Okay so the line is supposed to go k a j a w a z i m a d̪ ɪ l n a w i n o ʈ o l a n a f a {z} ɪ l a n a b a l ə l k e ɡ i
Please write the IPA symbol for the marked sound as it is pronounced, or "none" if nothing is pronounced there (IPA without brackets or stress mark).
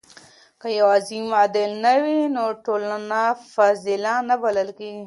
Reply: z